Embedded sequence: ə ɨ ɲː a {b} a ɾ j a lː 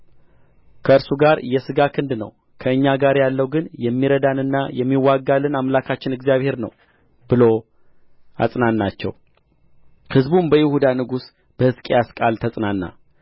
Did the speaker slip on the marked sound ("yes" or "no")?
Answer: yes